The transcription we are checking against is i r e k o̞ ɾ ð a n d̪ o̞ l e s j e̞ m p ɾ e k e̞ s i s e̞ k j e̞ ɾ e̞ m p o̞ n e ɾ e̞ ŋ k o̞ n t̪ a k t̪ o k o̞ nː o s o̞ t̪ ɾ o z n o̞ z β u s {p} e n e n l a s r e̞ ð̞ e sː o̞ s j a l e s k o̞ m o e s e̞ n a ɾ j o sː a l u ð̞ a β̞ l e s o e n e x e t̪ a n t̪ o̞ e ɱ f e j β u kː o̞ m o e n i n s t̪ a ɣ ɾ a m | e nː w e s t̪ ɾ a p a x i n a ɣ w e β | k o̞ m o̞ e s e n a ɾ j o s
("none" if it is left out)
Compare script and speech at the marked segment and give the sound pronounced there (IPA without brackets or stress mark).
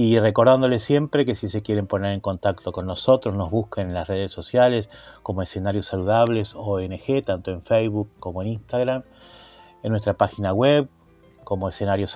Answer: k